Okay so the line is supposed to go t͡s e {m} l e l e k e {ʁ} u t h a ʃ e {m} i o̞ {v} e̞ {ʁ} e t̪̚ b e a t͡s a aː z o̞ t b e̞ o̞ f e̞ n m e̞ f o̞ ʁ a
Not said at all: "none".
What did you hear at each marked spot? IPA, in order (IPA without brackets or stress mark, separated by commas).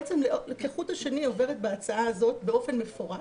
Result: m, χ, n, v, ʁ